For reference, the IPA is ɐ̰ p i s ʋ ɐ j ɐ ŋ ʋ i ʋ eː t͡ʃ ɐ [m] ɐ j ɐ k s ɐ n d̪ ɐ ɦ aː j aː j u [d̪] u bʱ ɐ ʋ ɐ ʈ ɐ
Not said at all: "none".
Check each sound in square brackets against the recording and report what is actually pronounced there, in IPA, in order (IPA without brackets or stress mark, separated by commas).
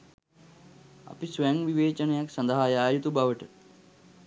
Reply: n, t̪